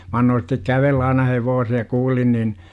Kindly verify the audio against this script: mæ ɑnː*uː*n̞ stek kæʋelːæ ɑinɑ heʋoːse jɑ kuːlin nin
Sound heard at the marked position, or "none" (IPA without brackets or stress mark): oː